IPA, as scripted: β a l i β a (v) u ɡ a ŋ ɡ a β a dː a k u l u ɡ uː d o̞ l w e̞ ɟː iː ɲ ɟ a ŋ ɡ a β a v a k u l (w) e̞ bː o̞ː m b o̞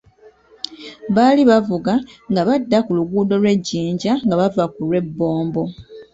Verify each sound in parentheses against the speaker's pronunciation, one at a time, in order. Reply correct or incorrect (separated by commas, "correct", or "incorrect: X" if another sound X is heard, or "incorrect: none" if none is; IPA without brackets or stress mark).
correct, correct